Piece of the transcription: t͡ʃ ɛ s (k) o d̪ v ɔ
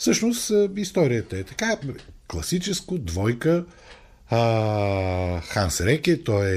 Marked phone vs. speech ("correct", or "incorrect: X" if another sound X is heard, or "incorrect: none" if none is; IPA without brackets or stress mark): correct